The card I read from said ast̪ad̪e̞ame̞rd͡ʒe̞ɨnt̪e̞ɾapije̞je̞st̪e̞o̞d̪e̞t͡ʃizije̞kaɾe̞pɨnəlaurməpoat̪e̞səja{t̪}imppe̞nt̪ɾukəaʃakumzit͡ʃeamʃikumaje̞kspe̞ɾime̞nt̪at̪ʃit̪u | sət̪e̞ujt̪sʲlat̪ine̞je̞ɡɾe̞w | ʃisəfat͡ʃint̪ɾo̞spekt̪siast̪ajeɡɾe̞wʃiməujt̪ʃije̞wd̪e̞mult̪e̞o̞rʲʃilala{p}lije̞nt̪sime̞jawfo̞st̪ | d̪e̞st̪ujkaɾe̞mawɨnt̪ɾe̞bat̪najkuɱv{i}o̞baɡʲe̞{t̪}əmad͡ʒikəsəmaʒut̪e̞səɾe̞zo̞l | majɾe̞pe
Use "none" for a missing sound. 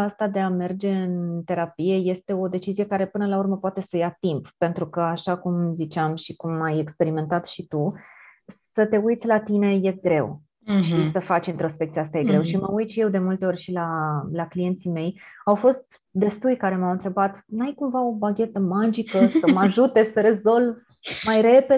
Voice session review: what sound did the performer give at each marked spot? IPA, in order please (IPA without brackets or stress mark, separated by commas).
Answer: t̪, k, a, t̪